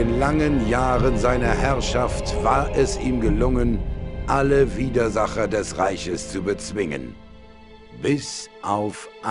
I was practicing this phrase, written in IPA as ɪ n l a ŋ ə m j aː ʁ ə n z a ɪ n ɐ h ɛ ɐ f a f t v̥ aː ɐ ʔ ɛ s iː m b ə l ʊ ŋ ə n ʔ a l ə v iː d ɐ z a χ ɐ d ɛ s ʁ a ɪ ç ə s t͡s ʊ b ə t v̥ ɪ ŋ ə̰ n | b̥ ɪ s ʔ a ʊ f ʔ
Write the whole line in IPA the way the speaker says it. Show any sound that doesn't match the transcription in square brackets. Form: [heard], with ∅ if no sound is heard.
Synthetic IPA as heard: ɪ n l a ŋ ə [n] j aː ʁ ə n z a ɪ n ɐ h ɛ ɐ [ʃ] a f t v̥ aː ɐ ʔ ɛ s iː m [ɡ] ə l ʊ ŋ ə n ʔ a l ə v iː d ɐ z a χ ɐ d ɛ s ʁ a ɪ ç ə s t͡s [u] b ə [t͡s] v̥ ɪ ŋ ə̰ n | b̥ ɪ s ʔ a ʊ f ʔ